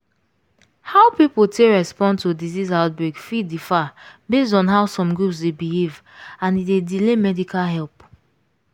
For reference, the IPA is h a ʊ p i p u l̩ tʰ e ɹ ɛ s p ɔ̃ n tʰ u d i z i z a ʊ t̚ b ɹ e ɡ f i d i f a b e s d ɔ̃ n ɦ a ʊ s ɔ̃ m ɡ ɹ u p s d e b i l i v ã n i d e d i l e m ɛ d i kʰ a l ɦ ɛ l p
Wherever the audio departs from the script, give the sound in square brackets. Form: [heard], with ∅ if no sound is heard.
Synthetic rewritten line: h a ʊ p i p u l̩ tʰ e ɹ ɛ s p ɔ̃ n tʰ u d i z i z a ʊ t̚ b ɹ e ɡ f i d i f a b e s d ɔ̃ n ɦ a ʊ s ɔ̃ m ɡ ɹ u p s d e b i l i v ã n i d e d i l e m ɛ d i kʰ a l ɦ ɛ l p